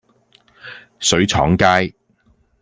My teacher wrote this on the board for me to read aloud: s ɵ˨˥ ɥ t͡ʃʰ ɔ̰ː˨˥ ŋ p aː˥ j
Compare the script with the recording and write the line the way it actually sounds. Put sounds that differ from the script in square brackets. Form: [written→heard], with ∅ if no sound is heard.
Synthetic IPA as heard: s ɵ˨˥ ɥ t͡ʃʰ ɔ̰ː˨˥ ŋ [p→k] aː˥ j